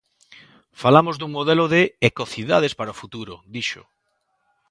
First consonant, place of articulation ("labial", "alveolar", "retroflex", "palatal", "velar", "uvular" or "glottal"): labial